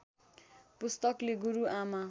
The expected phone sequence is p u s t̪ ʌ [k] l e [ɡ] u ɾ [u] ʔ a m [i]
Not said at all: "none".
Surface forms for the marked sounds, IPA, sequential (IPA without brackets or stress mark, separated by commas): k, ɡ, u, a